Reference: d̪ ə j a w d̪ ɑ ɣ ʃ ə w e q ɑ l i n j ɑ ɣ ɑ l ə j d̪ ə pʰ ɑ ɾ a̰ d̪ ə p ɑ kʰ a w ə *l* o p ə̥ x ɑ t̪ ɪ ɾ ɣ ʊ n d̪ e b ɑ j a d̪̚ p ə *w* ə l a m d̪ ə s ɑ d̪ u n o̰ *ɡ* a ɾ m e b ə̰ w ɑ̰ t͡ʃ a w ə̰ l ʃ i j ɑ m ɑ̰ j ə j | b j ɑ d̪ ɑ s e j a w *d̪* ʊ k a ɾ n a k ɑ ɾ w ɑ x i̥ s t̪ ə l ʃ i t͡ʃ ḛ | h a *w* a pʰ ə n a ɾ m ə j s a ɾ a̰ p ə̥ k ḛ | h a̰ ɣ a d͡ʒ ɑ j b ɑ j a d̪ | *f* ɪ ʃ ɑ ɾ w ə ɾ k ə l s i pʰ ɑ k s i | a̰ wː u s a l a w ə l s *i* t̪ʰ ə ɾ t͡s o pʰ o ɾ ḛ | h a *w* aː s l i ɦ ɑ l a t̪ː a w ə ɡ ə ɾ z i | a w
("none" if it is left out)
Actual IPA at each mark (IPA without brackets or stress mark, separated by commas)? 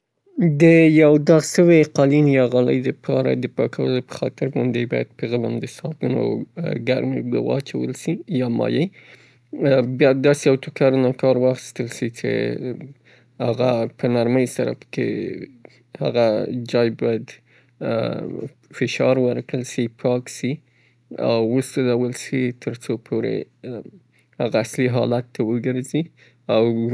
l, ɣ, ɡ, t̪, ɣ, f, i, ɣ